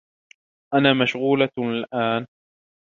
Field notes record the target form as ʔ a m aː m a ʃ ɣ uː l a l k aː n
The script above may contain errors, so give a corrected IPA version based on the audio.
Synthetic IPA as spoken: ʔ a n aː m a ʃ ɣ uː l a l ʔ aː n